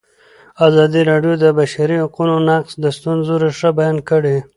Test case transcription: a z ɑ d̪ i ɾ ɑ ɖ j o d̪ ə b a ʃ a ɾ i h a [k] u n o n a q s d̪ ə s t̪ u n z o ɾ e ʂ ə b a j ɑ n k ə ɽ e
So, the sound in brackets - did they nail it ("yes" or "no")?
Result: no